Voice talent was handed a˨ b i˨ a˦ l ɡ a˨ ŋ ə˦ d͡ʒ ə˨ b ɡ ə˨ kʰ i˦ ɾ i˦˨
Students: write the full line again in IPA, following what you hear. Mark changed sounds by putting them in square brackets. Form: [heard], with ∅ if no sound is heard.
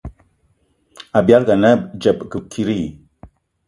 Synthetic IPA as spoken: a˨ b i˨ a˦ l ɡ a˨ [n] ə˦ d͡ʒ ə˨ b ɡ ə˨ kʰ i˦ ɾ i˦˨